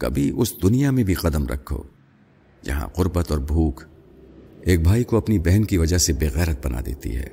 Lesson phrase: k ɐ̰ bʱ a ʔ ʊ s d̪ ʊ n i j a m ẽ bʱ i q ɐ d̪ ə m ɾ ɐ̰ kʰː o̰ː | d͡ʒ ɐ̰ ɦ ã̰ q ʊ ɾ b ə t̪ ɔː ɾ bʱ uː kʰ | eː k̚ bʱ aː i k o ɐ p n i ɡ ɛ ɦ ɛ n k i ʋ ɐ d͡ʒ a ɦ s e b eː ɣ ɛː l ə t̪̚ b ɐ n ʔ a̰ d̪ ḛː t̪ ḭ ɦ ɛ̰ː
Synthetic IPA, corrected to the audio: k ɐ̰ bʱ i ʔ ʊ s d̪ ʊ n i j a m ẽ bʱ i q ɐ d̪ ə m ɾ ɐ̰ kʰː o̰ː | d͡ʒ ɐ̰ ɦ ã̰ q ʊ ɾ b ə t̪ ɔː ɾ bʱ uː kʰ | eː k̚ bʱ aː i k o ɐ p n i b ɛ ɦ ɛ n k i ʋ ɐ d͡ʒ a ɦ s e b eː ɣ ɛː ɾ ə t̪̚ b ɐ n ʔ a̰ d̪ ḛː t̪ ḭ ɦ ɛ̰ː